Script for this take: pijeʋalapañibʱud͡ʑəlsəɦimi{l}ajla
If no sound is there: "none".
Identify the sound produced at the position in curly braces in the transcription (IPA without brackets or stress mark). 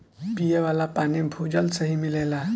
l